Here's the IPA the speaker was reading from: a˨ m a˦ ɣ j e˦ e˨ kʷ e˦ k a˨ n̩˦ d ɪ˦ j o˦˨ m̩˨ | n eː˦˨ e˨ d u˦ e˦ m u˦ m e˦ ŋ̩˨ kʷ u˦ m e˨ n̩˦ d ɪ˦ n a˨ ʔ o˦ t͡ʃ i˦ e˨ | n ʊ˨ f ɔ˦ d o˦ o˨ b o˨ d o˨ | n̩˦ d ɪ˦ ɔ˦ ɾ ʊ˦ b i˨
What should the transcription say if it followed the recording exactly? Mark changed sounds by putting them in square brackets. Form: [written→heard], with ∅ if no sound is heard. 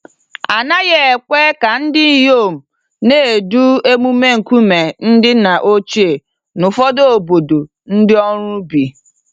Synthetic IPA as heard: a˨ [m→n] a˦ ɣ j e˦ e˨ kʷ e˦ k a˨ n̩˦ d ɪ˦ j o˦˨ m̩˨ | n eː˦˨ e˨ d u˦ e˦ m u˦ m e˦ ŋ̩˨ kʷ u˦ m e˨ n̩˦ d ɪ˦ n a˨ ʔ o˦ t͡ʃ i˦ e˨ | n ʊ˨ f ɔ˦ d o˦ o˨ b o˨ d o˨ | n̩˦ d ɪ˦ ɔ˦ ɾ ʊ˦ b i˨